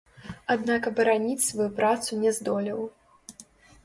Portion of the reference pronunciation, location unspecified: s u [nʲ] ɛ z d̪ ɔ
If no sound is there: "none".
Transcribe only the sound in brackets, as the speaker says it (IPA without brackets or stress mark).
nʲ